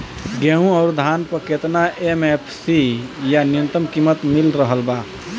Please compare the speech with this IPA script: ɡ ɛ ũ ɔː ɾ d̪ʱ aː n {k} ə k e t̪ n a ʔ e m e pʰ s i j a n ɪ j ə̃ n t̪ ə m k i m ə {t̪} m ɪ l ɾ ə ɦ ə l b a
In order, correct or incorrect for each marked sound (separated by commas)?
incorrect, correct